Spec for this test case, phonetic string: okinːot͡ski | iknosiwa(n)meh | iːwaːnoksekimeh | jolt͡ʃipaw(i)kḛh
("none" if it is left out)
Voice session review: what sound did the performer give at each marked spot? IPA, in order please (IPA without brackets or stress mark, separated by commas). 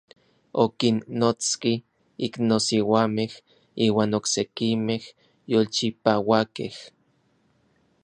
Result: none, a